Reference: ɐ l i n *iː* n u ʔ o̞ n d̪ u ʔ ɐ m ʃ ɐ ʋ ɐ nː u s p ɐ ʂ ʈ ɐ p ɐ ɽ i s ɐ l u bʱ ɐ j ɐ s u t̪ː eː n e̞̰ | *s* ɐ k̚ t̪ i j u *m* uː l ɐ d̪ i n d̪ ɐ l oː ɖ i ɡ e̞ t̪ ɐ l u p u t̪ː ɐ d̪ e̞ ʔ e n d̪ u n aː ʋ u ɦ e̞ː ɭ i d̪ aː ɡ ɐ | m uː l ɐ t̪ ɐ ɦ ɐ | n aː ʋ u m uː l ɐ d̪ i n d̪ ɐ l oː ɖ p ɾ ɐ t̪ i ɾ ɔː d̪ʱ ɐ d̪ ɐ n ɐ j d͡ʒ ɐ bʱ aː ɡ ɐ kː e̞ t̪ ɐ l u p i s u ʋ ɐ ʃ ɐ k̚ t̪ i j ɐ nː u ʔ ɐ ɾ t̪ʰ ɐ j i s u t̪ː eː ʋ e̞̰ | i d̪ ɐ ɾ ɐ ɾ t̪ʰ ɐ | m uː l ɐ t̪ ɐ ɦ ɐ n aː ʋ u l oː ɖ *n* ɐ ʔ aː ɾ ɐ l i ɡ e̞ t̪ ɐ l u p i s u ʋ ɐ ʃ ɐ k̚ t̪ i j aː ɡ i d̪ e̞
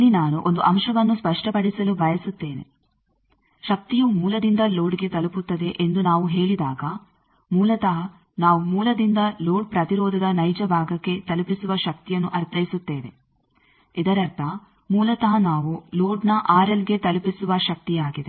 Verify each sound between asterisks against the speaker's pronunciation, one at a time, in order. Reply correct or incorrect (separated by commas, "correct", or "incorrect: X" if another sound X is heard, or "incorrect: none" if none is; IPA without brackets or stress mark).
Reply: incorrect: aː, incorrect: ʃ, correct, correct